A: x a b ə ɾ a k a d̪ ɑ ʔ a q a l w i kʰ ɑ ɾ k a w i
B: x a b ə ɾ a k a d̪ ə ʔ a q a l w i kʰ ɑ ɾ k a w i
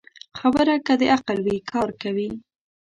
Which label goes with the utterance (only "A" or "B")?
B